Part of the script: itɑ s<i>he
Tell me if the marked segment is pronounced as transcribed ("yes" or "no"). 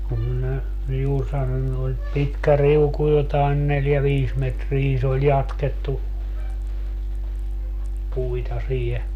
no